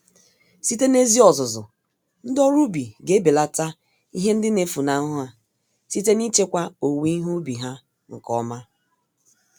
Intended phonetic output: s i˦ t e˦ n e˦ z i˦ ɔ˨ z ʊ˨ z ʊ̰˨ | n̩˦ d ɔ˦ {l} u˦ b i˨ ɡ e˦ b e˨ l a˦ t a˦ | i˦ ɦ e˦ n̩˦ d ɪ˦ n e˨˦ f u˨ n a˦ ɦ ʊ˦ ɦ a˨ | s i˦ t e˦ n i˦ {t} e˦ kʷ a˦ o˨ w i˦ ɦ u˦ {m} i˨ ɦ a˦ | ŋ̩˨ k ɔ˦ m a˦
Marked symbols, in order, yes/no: no, no, no

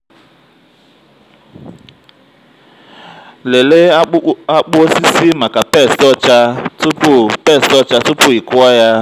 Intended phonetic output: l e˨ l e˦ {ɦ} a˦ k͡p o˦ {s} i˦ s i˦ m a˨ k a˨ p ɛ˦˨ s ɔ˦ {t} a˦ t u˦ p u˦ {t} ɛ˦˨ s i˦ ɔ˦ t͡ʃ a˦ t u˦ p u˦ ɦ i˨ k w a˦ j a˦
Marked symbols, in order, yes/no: no, yes, no, no

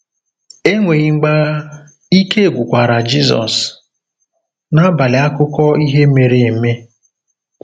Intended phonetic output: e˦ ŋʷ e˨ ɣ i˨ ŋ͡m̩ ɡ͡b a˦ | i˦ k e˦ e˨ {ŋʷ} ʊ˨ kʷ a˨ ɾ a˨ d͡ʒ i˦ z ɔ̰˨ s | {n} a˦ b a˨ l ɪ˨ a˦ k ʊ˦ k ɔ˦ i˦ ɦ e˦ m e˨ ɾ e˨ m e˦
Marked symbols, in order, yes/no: no, yes

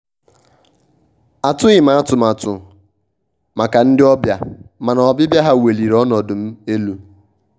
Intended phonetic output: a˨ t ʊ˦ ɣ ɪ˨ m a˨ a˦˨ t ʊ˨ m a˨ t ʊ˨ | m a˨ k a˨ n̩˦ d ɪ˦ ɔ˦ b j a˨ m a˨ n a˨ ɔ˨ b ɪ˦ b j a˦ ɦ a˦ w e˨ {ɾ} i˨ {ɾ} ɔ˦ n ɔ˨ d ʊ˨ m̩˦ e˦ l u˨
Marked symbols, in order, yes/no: no, yes

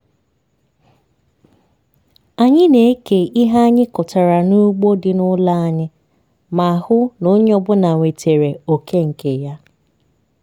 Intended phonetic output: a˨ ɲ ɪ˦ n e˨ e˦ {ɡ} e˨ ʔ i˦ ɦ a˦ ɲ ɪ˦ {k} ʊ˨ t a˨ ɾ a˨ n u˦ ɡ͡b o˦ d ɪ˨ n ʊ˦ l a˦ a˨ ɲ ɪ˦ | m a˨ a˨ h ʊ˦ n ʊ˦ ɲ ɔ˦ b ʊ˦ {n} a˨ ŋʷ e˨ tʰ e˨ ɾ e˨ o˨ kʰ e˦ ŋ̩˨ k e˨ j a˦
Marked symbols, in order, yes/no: no, yes, yes

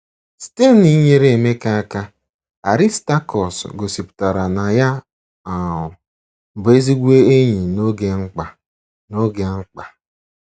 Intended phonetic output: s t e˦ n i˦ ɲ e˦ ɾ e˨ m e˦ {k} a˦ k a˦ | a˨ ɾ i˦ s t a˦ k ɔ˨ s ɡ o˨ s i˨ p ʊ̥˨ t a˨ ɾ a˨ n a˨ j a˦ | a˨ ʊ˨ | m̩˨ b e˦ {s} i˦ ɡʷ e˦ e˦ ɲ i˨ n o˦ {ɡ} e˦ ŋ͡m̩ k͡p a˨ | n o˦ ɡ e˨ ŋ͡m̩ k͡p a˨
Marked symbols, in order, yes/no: yes, no, yes

